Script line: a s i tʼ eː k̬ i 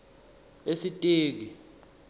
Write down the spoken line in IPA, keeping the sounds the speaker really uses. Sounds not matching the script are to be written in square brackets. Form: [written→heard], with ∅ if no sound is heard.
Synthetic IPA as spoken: [a→e] s i tʼ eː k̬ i